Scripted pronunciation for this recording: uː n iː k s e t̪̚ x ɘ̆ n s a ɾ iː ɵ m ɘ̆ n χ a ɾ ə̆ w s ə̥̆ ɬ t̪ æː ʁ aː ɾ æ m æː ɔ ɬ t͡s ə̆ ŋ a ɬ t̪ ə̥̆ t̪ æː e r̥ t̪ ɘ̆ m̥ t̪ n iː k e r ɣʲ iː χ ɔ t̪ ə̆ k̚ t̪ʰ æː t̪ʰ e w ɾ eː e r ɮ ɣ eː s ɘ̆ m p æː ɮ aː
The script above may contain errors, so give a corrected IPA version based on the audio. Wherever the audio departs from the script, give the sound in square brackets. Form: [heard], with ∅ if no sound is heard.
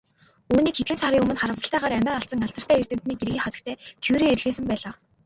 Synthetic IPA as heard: uː n iː k [x] e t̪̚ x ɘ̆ n s a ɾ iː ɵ m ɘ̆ n χ a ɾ ə̆ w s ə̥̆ ɬ t̪ æː ʁ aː ɾ æ m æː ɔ ɬ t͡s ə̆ ŋ a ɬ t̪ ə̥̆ t̪ æː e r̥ t̪ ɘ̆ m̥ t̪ n iː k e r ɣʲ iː χ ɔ t̪ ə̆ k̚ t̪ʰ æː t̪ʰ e w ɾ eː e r ɮ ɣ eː s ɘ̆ m p æː ɮ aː